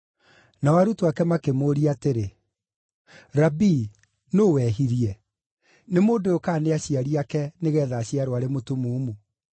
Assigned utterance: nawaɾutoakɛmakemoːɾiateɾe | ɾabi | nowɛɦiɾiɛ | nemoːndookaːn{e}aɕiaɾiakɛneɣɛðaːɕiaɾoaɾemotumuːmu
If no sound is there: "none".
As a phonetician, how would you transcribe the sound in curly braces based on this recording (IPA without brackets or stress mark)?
e